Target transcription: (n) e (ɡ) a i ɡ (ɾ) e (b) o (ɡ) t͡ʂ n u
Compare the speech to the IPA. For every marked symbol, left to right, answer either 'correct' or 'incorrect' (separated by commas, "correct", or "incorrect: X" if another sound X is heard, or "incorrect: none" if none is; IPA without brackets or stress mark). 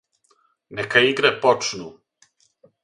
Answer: correct, incorrect: k, correct, incorrect: p, incorrect: none